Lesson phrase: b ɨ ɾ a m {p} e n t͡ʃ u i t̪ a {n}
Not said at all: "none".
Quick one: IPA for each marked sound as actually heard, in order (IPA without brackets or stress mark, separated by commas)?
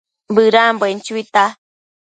b, none